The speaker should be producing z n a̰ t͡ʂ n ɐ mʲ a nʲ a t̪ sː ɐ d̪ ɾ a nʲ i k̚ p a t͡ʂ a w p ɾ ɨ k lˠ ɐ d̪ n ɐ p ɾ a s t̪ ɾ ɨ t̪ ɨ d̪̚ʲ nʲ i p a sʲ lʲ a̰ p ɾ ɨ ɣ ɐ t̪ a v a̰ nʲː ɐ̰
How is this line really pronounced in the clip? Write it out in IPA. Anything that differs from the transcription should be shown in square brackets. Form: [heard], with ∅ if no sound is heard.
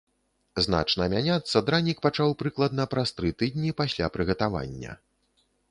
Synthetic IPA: z n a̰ t͡ʂ n ɐ mʲ a nʲ a t̪ sː ɐ d̪ ɾ a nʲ i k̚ p a t͡ʂ a w p ɾ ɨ k lˠ ɐ d̪ n ɐ p ɾ a s t̪ ɾ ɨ t̪ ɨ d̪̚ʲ nʲ i p a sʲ lʲ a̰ p ɾ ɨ ɣ ɐ t̪ a v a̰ nʲː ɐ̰

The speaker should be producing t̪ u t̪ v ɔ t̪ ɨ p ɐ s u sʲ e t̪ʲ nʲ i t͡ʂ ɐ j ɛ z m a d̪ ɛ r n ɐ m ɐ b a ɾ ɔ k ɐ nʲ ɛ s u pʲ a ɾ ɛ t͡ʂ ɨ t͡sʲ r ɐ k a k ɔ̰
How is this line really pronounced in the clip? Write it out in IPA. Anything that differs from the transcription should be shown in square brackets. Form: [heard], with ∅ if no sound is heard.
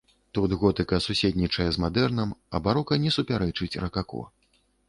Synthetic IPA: t̪ u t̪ [ɣ] ɔ t̪ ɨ [k] ɐ s u sʲ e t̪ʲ nʲ i t͡ʂ ɐ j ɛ z m a d̪ ɛ r n ɐ m ɐ b a ɾ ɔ k ɐ nʲ ɛ s u pʲ a ɾ ɛ t͡ʂ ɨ t͡sʲ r ɐ k a k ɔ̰

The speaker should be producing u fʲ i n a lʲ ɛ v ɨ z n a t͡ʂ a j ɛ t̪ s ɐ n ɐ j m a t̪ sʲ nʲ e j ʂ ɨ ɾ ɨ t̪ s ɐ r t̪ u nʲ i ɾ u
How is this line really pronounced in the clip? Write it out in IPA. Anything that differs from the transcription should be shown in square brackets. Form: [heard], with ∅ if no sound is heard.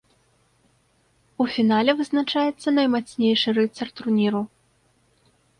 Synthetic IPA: u fʲ i n a lʲ ɛ v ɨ z n a t͡ʂ a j ɛ t̪ [sː] ɐ n ɐ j m a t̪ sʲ nʲ e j ʂ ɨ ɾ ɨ t̪ s ɐ r t̪ u nʲ i ɾ u

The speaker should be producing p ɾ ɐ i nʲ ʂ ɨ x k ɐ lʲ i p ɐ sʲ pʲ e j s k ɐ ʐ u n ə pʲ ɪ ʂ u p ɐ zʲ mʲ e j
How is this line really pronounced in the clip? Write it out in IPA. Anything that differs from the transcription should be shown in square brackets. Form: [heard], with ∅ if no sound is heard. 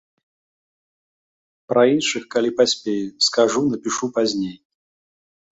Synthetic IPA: p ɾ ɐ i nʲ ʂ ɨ x k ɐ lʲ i p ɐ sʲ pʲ e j s k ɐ ʐ u n ə pʲ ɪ ʂ u p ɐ zʲ [nʲ] e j

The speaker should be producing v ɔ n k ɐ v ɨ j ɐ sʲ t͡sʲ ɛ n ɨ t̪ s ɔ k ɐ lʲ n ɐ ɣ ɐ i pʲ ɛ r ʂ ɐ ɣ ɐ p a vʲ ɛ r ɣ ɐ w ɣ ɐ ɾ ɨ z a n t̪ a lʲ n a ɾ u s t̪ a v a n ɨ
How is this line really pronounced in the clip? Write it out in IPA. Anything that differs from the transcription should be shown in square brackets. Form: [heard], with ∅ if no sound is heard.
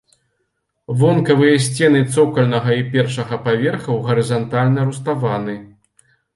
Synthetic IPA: v ɔ n k ɐ v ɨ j ɐ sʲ t͡sʲ ɛ n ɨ t̪ s ɔ k ɐ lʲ n ɐ ɣ ɐ i pʲ ɛ r ʂ ɐ ɣ ɐ p a vʲ ɛ r [x] ɐ w ɣ ɐ ɾ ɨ z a n t̪ a lʲ n [ɐ] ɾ u s t̪ a v a n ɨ

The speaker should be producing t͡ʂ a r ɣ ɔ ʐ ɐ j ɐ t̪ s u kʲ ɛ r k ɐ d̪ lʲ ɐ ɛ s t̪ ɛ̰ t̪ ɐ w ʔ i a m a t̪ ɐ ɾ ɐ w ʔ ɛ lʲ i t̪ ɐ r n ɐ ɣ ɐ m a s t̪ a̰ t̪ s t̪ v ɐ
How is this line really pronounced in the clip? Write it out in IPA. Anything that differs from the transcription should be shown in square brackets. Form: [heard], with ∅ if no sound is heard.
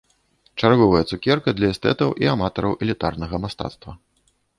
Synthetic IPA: t͡ʂ a r ɣ ɔ [v] ɐ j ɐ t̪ s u kʲ ɛ r k ɐ d̪ lʲ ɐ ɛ s t̪ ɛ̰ t̪ ɐ w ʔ i a m a t̪ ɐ ɾ ɐ w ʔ ɛ lʲ i t̪ [a] r n ɐ ɣ ɐ m a s t̪ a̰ t̪ s t̪ v ɐ

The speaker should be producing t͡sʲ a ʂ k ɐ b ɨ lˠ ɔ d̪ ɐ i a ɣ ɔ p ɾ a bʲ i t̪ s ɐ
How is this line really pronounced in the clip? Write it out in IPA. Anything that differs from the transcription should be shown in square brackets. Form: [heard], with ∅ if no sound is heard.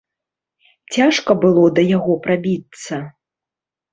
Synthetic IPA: t͡sʲ a ʂ k ɐ b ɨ lˠ ɔ d̪ ɐ [j] a ɣ ɔ p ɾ a bʲ i t̪ s ɐ

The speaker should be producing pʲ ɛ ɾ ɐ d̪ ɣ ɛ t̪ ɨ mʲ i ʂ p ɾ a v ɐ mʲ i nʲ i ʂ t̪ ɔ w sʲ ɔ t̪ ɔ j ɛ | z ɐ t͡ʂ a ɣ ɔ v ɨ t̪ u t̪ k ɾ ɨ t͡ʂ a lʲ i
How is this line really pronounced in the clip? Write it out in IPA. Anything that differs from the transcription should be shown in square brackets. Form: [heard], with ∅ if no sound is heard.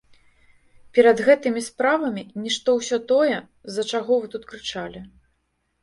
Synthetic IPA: pʲ ɛ ɾ ɐ d̪ ɣ ɛ t̪ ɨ mʲ i [s] p ɾ a v ɐ mʲ i nʲ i ʂ t̪ ɔ w sʲ ɔ t̪ ɔ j ɛ | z ɐ t͡ʂ a ɣ ɔ v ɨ t̪ u t̪ k ɾ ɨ t͡ʂ a lʲ i

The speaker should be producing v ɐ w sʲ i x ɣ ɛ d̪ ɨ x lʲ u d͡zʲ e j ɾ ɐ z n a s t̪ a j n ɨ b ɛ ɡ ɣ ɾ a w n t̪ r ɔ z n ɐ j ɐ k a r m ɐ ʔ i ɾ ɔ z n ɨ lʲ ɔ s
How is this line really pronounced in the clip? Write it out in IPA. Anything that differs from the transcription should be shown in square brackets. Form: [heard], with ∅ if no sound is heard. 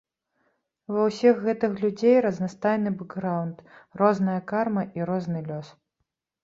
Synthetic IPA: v ɐ w sʲ i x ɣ ɛ [t̪] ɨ x lʲ u d͡zʲ e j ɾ ɐ z n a s t̪ a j n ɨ b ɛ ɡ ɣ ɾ a w n t̪ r ɔ z n ɐ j ɐ k a r m ɐ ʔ i ɾ ɔ z n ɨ lʲ ɔ s

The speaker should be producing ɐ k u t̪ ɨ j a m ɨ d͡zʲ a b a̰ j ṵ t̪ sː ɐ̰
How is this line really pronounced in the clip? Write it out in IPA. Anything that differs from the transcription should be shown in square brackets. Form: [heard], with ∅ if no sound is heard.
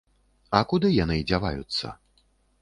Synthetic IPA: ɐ k u [d̪] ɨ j a [n] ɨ d͡zʲ a [v] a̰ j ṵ t̪ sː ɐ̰

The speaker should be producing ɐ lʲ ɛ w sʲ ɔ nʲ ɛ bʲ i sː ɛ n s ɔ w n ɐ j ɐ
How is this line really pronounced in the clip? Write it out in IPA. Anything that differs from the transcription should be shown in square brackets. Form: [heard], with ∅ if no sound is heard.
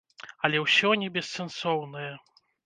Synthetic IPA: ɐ lʲ ɛ w sʲ ɔ nʲ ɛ bʲ [ɛ] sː ɛ n s ɔ w n ɐ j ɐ

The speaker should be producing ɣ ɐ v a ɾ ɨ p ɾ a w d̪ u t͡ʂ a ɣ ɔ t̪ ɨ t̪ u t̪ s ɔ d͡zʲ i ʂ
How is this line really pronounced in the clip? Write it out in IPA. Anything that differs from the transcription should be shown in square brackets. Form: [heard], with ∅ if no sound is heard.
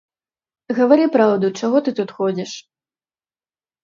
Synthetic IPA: ɣ ɐ v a ɾ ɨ p ɾ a w d̪ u t͡ʂ a ɣ ɔ t̪ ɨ t̪ u t̪ [x] ɔ d͡zʲ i ʂ

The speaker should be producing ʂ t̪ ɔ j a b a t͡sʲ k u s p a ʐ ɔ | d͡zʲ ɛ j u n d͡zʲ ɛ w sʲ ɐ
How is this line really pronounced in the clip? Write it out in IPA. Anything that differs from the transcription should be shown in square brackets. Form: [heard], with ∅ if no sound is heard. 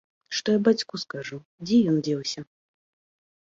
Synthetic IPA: ʂ t̪ ɔ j a b a t͡sʲ k u s [k] a ʐ [u] | d͡zʲ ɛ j [ɔ] n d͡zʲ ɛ w sʲ ɐ

